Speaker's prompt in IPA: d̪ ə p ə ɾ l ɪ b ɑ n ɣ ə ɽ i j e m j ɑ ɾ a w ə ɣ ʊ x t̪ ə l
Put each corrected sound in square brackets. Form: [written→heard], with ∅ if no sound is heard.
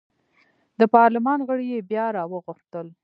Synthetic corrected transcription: d̪ ə p [ə→ɑ] ɾ l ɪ [b→m] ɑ n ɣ ə ɽ i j e [m→b] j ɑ ɾ [a→ɑ] w ə ɣ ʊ x t̪ ə l